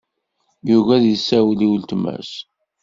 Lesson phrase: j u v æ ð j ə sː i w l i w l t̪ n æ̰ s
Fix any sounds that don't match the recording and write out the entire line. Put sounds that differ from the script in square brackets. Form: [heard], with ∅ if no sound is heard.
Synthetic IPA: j u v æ ð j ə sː [æ] w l i w l t̪ [m] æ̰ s